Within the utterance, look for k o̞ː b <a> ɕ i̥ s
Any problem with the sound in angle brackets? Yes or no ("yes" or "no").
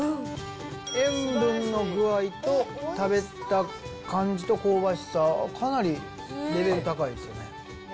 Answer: no